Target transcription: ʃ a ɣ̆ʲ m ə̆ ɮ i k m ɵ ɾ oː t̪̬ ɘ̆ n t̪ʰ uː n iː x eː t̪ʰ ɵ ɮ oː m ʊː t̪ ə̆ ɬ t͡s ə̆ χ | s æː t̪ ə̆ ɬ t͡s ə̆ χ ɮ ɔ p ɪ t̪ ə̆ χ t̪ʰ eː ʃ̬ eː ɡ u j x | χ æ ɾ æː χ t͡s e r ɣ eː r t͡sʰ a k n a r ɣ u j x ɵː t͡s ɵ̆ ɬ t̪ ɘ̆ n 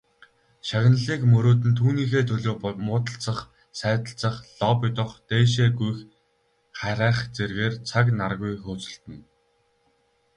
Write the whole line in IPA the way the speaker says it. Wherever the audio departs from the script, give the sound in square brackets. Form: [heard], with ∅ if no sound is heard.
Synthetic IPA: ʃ a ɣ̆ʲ [n] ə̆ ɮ [iː] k m ɵ ɾ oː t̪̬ ɘ̆ n t̪ʰ uː n iː x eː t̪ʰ ɵ ɮ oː m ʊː t̪ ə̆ ɬ t͡s ə̆ χ | s æː t̪ ə̆ ɬ t͡s ə̆ χ ɮ ɔ p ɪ t̪ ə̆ χ [t̪] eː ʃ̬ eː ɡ u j x | χ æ ɾ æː χ t͡s e r ɣ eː r t͡sʰ a k n a r ɣ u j x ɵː t͡s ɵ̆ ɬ t̪ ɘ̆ n